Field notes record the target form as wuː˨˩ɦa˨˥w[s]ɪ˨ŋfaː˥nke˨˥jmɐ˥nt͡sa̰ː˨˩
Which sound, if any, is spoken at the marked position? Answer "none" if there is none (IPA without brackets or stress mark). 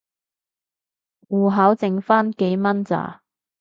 t͡s